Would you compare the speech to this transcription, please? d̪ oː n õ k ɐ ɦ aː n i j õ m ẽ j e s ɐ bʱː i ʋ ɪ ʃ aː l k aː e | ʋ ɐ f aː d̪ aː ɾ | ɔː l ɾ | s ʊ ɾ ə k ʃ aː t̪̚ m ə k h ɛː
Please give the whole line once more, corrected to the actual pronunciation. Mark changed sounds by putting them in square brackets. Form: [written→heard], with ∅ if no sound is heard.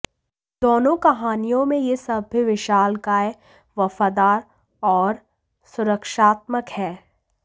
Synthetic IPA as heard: d̪ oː n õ k ɐ ɦ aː n i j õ m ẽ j e s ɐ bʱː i ʋ ɪ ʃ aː l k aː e | ʋ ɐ f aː d̪ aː ɾ | ɔː [l→∅] ɾ | s ʊ ɾ ə k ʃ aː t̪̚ m ə k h ɛː